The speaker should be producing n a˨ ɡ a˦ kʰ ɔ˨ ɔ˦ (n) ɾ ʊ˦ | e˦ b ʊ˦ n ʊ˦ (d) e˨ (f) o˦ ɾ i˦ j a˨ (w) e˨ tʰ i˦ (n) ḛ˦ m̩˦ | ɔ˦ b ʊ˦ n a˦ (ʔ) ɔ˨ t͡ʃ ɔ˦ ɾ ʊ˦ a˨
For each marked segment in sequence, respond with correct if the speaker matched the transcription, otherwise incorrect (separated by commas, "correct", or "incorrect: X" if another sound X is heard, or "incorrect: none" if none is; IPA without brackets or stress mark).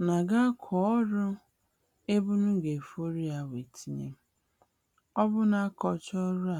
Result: incorrect: none, incorrect: ɡ, correct, correct, incorrect: ɲ, incorrect: k